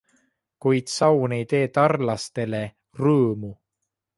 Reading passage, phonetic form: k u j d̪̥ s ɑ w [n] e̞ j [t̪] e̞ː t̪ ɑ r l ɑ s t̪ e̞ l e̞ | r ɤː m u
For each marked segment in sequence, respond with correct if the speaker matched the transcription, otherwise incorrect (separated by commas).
correct, correct